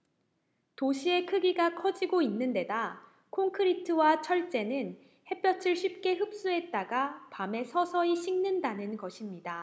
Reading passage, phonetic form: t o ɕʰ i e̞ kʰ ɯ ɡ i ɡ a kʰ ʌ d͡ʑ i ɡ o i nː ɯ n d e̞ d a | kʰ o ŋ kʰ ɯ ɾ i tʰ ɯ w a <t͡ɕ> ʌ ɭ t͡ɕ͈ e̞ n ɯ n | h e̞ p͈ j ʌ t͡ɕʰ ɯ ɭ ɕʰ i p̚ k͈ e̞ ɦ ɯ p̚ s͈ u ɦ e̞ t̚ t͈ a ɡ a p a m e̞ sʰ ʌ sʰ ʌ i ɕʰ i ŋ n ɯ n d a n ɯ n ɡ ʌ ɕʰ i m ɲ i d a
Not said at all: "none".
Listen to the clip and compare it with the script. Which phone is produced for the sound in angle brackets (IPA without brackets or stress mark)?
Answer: t͡ɕʰ